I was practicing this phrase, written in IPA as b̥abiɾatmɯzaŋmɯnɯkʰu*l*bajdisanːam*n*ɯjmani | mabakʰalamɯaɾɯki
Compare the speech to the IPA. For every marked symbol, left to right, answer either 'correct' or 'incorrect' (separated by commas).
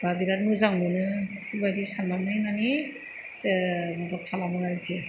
correct, correct